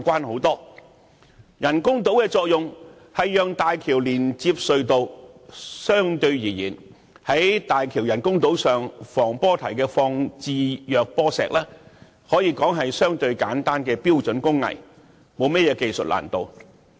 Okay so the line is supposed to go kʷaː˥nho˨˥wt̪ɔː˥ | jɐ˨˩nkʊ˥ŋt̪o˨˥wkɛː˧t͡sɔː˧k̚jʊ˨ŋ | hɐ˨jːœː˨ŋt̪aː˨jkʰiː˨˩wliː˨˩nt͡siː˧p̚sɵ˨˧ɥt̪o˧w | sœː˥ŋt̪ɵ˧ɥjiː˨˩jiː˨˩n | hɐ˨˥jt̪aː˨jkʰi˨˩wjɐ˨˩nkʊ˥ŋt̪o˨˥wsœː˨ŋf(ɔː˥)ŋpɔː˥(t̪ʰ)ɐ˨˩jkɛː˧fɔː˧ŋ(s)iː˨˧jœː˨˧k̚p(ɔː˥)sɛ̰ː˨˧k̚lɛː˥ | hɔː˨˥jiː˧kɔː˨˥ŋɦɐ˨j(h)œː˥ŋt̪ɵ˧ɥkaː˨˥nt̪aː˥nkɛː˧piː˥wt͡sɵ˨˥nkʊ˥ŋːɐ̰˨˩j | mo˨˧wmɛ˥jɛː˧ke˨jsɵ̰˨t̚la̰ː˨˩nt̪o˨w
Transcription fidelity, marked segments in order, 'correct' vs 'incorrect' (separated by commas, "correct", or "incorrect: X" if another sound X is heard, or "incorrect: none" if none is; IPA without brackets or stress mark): incorrect: ɔː˨˩, correct, incorrect: t͡s, correct, incorrect: s